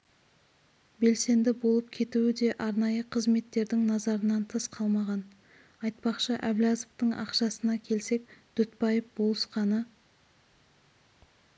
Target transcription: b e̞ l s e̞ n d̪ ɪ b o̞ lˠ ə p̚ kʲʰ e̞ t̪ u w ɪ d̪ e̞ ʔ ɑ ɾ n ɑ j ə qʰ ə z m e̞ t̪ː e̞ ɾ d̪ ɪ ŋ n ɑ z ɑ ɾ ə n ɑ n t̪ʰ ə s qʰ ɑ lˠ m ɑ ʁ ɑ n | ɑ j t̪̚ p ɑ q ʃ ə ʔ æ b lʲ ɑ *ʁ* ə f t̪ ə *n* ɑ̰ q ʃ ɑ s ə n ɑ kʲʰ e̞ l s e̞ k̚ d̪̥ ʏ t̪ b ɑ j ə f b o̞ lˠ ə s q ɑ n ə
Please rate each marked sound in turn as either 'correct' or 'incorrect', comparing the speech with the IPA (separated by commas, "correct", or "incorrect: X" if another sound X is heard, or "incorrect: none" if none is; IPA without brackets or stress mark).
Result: incorrect: z, incorrect: ɴ